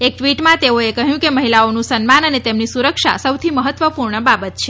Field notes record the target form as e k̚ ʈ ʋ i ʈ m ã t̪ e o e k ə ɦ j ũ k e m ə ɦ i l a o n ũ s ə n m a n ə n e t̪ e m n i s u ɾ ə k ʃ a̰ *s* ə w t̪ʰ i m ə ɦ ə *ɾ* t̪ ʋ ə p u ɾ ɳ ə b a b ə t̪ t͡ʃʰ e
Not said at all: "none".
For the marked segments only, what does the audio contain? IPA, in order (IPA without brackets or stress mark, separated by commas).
s, none